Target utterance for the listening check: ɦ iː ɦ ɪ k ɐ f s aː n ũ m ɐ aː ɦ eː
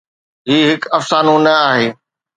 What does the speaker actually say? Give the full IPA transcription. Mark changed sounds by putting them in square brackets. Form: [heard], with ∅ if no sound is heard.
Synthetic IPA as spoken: ɦ iː ɦ ɪ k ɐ f s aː n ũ [n] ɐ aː ɦ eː